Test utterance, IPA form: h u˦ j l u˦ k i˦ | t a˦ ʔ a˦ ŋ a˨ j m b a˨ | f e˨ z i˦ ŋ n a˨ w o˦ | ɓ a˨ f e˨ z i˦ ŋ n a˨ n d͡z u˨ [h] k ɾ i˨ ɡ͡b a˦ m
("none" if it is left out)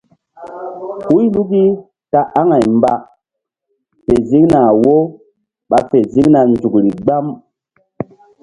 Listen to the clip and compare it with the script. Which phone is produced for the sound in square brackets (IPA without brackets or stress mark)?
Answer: none